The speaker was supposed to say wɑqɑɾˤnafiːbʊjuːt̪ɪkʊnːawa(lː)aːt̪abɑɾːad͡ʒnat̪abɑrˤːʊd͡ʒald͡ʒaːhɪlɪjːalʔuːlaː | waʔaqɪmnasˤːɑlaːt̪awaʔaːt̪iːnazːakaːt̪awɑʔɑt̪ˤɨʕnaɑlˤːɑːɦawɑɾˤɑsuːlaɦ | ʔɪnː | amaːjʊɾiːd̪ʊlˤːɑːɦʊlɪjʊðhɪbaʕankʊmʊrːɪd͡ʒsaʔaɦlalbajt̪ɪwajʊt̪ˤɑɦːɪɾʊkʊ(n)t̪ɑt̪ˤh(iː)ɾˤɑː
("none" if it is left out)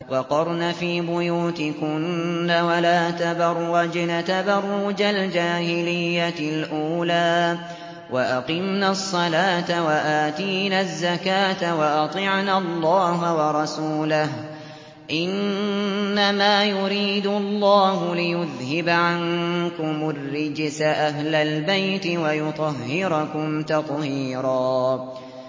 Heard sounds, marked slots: l, m, iː

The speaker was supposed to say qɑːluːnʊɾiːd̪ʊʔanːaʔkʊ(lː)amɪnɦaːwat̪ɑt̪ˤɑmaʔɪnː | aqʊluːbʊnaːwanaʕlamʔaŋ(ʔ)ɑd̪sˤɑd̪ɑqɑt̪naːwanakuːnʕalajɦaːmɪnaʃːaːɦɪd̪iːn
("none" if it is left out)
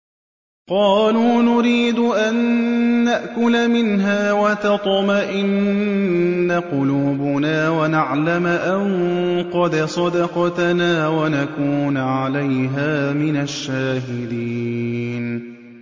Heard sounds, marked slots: l, q

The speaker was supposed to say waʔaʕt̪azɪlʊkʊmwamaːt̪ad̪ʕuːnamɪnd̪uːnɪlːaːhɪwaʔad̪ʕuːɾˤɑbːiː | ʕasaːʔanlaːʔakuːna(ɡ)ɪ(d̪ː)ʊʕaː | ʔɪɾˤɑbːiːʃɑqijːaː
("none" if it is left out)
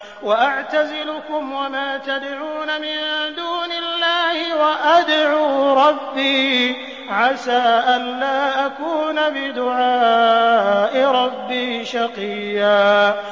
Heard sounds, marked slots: b, d̪

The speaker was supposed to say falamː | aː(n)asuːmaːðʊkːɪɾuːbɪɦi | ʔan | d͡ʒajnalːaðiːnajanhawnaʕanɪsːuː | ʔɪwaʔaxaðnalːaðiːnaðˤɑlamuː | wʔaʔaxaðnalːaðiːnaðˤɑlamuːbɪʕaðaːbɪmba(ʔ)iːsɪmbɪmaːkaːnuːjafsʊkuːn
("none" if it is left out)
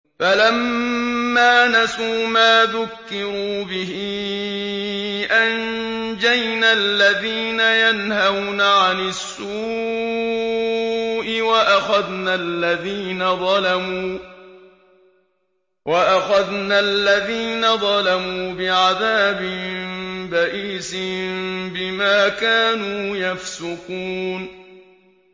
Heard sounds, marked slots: n, ʔ

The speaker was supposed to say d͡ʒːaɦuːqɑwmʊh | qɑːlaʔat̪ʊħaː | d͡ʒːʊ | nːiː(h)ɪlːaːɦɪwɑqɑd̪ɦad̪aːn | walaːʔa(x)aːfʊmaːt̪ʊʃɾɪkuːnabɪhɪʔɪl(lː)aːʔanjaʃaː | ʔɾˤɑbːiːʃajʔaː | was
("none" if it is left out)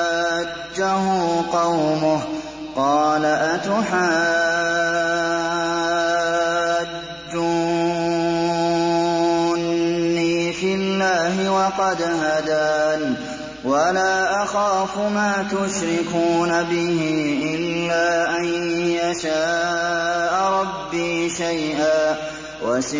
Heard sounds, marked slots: f, x, lː

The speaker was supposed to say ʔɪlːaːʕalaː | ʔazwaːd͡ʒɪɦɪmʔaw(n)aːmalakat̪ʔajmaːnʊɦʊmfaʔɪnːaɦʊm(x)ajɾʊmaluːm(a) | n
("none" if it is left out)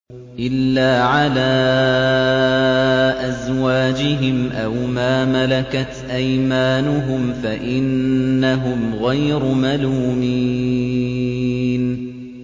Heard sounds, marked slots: m, ɣ, i

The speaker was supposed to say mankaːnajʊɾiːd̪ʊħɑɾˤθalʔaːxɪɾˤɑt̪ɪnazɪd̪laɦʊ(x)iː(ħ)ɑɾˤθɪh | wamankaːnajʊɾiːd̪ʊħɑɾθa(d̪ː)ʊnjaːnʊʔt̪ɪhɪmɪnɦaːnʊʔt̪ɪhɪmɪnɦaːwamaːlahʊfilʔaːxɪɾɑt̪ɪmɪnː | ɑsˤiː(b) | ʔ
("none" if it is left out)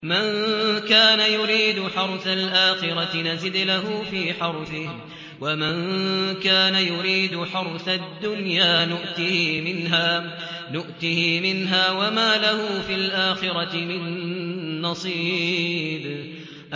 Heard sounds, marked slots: f, ħ, d̪ː, b

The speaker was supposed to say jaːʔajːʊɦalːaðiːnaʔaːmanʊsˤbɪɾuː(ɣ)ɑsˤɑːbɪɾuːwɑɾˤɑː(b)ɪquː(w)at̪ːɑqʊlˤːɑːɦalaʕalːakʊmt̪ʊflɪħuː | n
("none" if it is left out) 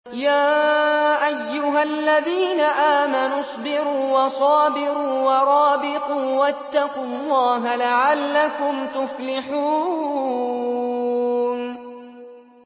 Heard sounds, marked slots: w, b, w

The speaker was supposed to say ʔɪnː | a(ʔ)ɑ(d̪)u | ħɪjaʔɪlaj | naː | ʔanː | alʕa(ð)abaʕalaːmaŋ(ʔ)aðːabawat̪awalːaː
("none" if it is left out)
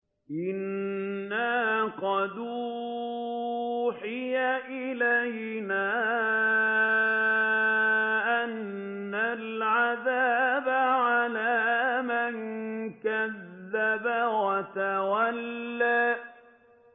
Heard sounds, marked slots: q, d̪, ð, k

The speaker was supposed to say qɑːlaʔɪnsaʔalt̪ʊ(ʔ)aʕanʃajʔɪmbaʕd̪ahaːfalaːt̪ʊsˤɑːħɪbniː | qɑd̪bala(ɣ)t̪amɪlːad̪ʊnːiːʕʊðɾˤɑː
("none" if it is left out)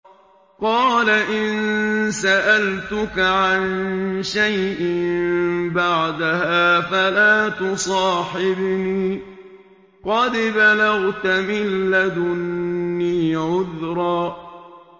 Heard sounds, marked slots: k, ɣ

